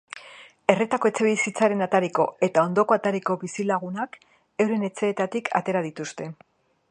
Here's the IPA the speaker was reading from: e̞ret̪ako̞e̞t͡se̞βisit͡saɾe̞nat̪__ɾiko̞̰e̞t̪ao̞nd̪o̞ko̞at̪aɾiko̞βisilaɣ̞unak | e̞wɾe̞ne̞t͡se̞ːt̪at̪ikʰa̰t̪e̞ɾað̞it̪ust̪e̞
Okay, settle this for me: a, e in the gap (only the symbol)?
a